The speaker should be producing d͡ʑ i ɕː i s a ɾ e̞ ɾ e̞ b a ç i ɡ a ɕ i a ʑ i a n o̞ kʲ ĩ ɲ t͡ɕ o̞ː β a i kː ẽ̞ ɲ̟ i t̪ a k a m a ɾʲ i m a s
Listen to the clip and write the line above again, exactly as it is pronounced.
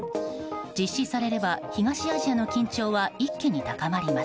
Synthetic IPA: d͡ʑ i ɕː i s a ɾ e̞ ɾ e̞ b a ç i ɡ a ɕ i a ʑ i a n o̞ kʲ ĩ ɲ t͡ɕ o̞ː β a i kː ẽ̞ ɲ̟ i t̪ a k a m a ɾʲ i m a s